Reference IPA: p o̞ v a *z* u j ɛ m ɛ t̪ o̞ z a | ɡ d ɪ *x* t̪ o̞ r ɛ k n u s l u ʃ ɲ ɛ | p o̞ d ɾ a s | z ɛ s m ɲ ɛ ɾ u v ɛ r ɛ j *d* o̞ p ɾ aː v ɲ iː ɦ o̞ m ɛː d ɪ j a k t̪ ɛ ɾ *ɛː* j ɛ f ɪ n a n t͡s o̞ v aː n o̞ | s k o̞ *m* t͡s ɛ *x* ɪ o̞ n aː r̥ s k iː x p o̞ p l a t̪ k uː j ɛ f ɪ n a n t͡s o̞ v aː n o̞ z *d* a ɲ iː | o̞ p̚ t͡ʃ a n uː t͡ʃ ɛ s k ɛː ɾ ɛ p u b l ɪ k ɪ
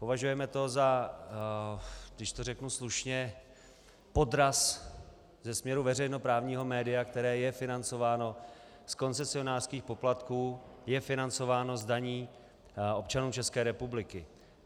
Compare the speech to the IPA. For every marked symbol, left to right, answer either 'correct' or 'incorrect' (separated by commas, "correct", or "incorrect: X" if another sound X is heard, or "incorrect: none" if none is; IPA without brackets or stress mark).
incorrect: ʒ, incorrect: ʃ, incorrect: n, correct, incorrect: n, incorrect: s, correct